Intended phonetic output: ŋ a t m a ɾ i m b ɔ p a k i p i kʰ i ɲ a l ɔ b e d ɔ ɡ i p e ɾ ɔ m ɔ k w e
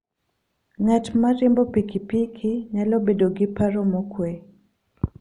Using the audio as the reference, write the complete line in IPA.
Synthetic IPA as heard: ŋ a t m a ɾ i m b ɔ p i k i p i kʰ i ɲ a l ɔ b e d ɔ ɡ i p a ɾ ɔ m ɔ k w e